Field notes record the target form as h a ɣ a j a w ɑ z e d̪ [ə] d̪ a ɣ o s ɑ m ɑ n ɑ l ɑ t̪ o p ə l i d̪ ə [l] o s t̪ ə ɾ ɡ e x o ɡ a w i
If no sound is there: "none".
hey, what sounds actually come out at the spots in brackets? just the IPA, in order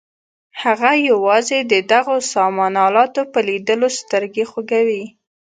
ə, l

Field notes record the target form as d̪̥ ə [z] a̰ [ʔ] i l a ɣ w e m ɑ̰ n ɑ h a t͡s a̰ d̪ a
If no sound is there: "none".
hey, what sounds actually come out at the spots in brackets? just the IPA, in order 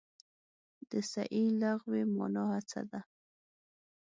s, ʔ

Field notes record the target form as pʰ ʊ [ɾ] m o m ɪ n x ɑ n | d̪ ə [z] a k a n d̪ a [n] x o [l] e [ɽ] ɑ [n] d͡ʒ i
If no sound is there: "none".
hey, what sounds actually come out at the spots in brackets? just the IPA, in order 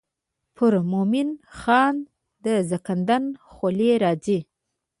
ɾ, z, n, l, ɾ, none

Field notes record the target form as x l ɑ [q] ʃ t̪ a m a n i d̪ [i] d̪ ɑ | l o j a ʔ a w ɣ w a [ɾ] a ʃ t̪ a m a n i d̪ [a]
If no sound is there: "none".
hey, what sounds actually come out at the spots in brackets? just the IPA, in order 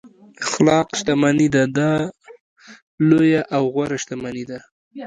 q, a, ɾ, a

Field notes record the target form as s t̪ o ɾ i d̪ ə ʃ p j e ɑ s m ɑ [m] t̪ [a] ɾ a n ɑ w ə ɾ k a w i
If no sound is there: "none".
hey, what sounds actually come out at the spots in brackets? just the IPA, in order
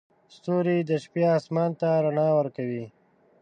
n, a

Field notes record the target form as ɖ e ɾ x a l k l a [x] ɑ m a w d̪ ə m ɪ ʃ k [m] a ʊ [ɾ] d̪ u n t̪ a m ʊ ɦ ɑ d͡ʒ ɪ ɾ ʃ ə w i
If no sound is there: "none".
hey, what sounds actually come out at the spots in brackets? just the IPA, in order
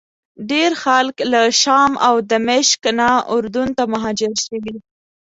ʃ, n, ɾ

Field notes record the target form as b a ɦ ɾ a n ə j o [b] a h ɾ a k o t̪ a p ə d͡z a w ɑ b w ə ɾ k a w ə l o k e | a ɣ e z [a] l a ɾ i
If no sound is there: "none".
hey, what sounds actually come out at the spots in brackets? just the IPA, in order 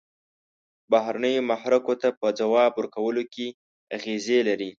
m, e

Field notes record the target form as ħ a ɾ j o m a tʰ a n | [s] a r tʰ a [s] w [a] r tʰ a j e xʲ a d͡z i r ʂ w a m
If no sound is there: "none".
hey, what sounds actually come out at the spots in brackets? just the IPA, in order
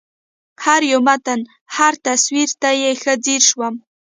ħ, s, i

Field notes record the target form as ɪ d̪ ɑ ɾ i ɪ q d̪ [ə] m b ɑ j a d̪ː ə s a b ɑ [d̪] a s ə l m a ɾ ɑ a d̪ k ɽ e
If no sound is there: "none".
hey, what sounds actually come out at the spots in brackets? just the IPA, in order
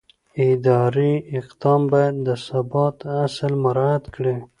ɑ, t̪

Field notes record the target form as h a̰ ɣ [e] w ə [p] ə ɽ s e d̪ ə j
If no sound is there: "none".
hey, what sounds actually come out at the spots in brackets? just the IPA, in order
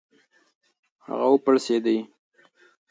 a, p

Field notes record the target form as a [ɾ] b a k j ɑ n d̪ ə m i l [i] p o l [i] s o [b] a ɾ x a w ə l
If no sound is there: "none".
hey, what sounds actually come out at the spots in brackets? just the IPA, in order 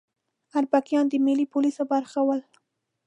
ɾ, i, i, b

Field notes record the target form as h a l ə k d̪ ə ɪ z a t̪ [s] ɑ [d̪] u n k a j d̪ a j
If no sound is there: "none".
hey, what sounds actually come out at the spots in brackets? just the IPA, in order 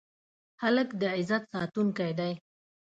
s, t̪

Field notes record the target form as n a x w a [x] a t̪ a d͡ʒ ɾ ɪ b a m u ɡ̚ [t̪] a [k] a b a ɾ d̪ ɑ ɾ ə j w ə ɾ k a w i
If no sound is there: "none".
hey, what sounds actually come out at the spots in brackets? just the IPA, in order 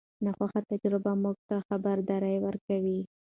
x, t̪, x

